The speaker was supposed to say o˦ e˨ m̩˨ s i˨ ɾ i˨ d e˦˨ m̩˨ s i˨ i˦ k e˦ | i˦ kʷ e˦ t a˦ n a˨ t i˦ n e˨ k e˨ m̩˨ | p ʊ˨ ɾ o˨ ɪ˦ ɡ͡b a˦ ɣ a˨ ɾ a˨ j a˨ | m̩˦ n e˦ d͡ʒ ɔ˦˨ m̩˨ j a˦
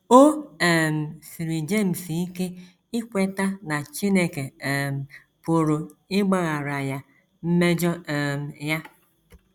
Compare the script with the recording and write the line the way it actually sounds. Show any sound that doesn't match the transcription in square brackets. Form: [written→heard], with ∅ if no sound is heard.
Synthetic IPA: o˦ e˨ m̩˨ s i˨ ɾ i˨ [d→d͡ʒ] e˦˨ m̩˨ s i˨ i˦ k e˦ | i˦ kʷ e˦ t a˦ n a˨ [t→t͡ʃ] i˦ n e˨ k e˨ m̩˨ | p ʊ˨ ɾ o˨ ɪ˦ ɡ͡b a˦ ɣ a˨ ɾ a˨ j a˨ | m̩˦ [n→m] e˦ d͡ʒ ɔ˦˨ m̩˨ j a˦